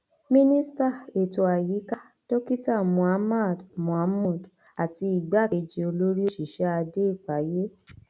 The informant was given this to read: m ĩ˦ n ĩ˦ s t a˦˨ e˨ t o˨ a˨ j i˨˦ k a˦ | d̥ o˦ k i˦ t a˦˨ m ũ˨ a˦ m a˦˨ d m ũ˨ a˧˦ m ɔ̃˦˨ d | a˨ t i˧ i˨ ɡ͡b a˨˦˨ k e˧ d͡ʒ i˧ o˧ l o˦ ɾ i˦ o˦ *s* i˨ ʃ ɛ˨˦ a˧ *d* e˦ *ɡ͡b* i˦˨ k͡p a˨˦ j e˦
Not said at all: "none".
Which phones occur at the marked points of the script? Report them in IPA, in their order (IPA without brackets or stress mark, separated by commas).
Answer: ʃ, d, none